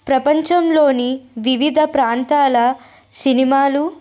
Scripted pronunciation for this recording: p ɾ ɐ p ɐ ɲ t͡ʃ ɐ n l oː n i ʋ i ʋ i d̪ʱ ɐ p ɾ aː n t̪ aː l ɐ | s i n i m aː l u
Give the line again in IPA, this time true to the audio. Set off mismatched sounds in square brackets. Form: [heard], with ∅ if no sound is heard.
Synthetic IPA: p ɾ ɐ p ɐ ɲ t͡ʃ ɐ [m] l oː n i ʋ i ʋ i d̪ʱ ɐ p ɾ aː n t̪ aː l ɐ | s i n i m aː l u